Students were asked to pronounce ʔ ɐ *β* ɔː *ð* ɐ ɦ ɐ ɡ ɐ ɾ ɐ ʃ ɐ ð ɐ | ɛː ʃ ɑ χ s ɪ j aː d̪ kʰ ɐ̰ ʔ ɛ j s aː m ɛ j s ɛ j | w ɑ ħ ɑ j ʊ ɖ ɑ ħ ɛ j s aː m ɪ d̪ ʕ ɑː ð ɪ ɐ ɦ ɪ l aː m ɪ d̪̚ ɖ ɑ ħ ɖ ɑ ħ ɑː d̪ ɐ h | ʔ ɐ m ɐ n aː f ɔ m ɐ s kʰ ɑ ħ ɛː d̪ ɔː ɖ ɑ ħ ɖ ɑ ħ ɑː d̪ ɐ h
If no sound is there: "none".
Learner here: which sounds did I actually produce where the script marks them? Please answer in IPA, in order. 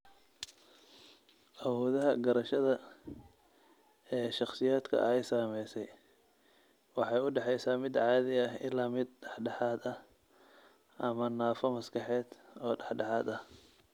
w, ð

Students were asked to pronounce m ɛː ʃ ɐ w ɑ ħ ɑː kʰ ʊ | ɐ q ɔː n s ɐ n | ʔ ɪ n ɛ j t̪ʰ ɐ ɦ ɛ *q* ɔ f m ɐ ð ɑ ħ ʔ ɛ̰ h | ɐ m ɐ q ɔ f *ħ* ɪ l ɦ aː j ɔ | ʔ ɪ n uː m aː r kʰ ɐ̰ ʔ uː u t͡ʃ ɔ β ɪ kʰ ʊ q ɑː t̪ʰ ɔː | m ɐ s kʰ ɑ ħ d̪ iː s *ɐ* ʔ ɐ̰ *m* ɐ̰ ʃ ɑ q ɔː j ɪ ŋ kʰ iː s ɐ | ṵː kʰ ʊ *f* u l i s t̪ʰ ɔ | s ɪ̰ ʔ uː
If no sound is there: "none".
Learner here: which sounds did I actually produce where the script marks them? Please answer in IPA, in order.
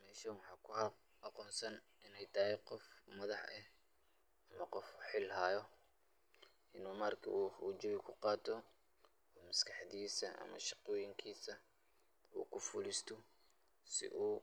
q, ħ, ɐ, m, f

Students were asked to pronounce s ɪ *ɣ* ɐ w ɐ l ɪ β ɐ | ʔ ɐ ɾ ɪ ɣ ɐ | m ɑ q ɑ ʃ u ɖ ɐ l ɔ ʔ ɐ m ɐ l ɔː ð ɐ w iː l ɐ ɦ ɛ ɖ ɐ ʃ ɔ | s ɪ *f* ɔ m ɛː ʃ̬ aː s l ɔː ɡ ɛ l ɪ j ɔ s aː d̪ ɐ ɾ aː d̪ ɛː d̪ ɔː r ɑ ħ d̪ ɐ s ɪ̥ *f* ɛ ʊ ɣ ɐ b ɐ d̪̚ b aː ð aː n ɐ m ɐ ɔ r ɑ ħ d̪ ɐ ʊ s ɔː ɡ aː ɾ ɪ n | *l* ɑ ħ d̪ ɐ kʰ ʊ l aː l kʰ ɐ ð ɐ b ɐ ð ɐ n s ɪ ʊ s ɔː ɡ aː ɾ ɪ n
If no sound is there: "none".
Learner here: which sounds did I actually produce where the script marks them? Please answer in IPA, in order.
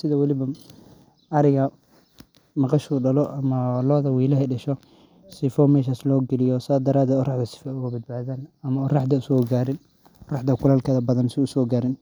ð, f, f, r

